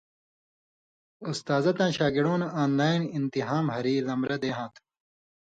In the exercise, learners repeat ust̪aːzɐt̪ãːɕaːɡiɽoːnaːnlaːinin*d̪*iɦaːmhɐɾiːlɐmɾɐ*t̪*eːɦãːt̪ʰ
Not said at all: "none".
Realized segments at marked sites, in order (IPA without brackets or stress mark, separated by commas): t̪, d̪